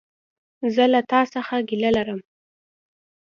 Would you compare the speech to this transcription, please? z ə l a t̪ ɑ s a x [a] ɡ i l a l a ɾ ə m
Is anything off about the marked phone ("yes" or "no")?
no